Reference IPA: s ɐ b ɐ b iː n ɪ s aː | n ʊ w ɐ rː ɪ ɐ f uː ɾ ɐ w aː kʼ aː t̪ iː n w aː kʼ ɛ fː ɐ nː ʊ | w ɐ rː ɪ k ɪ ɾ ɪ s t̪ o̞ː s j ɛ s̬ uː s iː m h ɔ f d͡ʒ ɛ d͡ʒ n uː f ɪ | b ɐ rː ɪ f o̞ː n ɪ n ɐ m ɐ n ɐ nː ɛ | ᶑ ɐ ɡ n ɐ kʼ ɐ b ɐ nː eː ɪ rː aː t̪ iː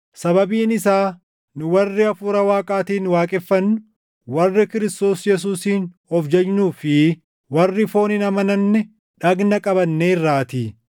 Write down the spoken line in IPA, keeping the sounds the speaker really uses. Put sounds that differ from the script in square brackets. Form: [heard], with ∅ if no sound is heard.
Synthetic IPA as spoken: s ɐ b ɐ b iː n ɪ s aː | n ʊ w ɐ rː ɪ ɐ f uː ɾ ɐ w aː kʼ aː t̪ iː n w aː kʼ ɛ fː ɐ nː ʊ | w ɐ rː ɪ k ɪ ɾ ɪ s t̪ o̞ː s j ɛ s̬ uː s iː [n] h ɔ f d͡ʒ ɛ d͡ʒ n uː f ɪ | [w] ɐ rː ɪ f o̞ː n ɪ n ɐ m ɐ n ɐ nː ɛ | ᶑ ɐ ɡ n ɐ kʼ ɐ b ɐ nː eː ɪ rː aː t̪ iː